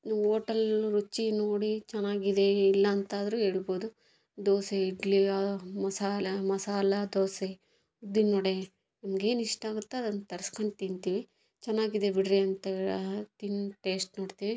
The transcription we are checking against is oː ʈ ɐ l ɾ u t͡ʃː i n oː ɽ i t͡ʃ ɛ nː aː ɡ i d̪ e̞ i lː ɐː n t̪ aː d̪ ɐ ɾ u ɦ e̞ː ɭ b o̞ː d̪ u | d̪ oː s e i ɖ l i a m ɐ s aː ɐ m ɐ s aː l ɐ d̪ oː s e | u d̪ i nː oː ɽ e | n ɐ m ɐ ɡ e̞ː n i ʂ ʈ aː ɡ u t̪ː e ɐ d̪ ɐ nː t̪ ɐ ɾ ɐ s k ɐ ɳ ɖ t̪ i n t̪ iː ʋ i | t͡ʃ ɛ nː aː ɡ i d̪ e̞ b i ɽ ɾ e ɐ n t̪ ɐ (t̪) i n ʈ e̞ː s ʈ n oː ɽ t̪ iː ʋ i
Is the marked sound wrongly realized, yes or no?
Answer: no